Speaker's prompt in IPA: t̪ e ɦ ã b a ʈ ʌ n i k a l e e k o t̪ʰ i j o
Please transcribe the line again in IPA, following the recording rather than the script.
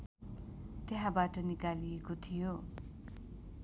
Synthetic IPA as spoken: t̪ e ɦ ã b a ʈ ʌ n i k a l i e k o t̪ʰ i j o